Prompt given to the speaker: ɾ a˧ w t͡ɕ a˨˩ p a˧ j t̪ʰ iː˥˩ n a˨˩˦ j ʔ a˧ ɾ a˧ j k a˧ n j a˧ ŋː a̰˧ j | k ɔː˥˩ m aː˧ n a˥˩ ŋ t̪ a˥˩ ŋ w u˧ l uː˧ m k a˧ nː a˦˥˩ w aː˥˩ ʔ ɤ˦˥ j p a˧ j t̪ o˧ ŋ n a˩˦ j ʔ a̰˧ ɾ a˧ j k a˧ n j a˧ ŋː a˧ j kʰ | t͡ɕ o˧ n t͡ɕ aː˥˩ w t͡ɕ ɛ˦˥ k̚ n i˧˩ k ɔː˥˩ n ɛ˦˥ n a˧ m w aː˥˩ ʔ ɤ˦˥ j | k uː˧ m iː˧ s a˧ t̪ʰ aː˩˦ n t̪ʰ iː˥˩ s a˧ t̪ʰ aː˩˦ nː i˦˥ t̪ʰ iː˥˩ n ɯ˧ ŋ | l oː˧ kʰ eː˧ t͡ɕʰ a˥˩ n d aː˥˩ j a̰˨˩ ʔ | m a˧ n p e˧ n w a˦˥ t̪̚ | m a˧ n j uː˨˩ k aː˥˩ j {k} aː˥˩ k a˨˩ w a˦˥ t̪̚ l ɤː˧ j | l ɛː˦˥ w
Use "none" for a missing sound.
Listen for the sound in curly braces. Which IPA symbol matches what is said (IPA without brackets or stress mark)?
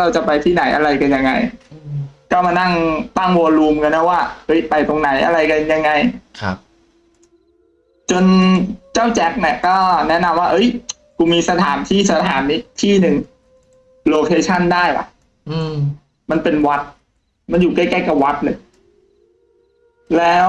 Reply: k